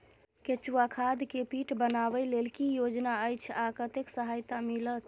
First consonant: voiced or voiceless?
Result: voiceless